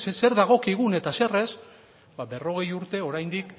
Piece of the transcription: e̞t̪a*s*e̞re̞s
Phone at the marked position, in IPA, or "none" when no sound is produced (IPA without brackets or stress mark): s